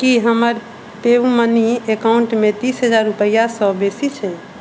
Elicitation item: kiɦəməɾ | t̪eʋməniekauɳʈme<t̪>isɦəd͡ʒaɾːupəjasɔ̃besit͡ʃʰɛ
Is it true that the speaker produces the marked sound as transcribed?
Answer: yes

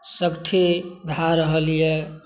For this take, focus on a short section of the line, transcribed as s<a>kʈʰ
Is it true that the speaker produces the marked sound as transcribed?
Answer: no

